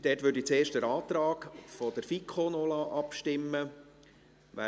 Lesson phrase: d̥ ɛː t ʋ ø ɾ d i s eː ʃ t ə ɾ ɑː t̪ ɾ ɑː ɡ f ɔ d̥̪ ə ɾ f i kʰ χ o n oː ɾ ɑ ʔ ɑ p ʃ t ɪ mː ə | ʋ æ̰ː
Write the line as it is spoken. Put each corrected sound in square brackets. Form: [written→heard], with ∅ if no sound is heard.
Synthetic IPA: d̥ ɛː t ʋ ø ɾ d i [s→t͡s] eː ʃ t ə ɾ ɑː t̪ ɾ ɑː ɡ f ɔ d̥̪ ə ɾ f i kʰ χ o n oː [ɾ→l] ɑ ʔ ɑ p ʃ t ɪ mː ə | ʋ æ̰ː